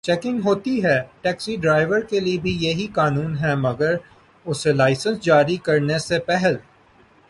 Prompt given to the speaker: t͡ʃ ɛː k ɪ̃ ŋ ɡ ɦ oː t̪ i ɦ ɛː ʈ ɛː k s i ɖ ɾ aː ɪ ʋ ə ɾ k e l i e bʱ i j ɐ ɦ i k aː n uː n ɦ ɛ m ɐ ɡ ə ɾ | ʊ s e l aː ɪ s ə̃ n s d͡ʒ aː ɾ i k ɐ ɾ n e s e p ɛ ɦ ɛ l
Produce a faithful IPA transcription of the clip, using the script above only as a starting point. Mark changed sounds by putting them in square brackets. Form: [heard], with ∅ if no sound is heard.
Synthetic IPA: t͡ʃ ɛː k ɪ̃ ŋ ɡ ɦ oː t̪ i ɦ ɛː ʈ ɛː k s i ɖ ɾ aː ɪ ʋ ə ɾ k e l i e bʱ i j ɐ ɦ i k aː n uː n ɦ ɛ m ɐ ɡ ə ɾ | ʊ s e l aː ɪ s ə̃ n s d͡ʒ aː ɾ i k ɐ ɾ n e s e p ɛ ɦ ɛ l